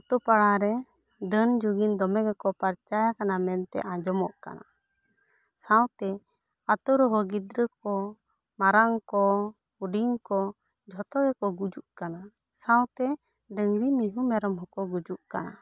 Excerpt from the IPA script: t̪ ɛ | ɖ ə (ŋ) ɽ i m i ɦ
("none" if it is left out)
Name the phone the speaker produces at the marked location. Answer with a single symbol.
ŋ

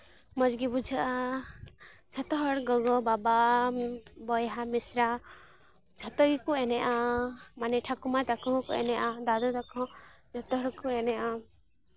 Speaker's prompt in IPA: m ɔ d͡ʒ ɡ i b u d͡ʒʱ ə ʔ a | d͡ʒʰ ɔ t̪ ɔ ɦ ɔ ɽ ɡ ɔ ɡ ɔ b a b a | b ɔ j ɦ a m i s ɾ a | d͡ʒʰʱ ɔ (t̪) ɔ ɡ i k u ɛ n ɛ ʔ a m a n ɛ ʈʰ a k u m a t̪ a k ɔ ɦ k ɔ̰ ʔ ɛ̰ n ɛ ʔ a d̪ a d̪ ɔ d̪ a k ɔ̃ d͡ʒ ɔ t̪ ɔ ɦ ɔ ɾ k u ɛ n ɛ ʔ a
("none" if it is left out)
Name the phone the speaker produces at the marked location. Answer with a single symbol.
t̪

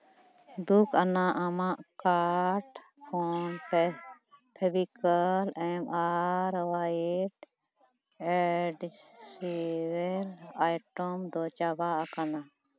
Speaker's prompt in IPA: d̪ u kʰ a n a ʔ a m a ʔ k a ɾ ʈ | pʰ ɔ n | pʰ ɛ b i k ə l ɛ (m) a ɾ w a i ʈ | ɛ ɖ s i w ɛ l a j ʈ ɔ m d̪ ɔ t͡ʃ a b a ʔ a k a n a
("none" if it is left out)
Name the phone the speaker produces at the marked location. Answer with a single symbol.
m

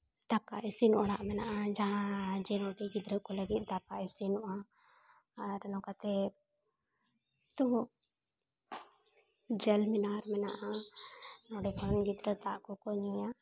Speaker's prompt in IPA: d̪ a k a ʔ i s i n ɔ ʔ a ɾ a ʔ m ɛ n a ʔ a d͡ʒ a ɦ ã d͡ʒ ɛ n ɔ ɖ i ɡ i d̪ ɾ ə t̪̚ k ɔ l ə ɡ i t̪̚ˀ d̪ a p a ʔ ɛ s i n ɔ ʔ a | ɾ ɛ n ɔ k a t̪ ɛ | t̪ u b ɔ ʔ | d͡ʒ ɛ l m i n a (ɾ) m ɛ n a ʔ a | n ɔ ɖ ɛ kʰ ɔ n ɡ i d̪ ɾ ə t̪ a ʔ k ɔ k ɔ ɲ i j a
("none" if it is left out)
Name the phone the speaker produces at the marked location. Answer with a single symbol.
ɾ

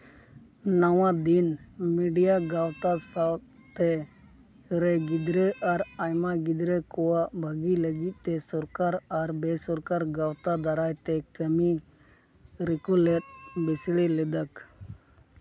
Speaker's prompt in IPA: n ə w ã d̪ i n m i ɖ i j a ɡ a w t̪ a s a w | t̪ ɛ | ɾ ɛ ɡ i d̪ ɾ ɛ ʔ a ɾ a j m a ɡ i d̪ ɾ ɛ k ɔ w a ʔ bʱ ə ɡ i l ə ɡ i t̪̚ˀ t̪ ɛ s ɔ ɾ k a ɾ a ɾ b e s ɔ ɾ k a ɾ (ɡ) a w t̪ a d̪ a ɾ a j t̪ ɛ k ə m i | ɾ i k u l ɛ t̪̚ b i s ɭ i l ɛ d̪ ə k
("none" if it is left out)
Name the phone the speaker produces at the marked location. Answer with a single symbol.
ɡ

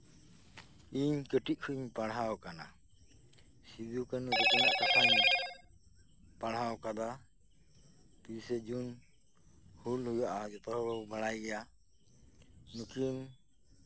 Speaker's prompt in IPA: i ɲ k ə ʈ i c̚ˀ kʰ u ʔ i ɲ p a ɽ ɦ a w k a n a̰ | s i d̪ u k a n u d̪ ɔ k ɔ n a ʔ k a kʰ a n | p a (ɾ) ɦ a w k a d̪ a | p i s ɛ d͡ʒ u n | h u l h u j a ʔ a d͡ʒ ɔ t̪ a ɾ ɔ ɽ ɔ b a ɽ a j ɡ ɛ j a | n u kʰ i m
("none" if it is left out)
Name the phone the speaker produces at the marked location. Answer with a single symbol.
ɽ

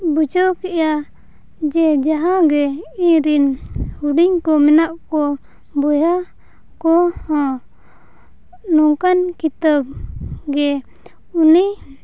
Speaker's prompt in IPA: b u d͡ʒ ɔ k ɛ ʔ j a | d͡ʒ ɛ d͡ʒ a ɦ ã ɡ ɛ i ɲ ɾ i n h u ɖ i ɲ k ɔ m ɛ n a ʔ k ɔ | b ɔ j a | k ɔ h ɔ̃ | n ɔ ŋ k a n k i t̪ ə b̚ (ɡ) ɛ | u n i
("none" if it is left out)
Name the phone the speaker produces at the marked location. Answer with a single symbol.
ɡ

